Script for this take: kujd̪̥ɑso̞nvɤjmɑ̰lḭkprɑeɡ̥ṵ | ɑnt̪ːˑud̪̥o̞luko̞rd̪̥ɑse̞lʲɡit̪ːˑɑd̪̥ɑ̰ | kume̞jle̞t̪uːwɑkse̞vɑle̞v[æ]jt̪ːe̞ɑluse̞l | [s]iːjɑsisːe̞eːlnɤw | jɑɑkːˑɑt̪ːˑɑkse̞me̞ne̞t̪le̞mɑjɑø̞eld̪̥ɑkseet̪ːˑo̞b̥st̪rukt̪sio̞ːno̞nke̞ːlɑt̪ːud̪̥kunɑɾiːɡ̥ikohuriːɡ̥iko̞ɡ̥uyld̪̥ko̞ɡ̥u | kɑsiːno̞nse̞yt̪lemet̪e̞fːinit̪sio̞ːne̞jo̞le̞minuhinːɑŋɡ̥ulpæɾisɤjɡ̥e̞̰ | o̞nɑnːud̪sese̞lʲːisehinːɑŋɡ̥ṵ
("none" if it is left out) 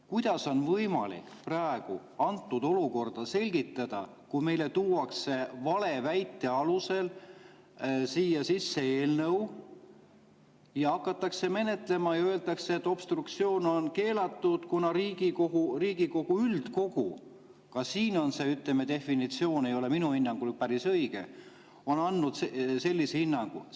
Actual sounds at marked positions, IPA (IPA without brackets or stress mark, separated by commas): æ, s